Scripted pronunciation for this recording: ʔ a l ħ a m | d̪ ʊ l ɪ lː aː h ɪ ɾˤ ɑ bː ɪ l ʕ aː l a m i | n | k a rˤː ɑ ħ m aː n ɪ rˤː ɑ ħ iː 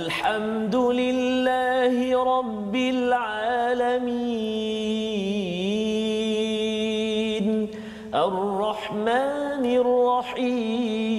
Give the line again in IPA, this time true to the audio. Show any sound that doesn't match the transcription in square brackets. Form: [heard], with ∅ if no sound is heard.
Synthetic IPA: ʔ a l ħ a m | d̪ ʊ l ɪ lː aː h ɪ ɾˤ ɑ bː ɪ l ʕ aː l a m i | n | [ʔ] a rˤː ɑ ħ m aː n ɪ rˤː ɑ ħ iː